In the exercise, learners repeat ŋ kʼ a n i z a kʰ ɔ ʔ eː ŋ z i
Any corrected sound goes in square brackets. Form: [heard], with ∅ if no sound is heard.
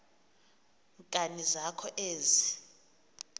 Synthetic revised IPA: ŋ kʼ a n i z a kʰ ɔ ʔ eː [∅] z i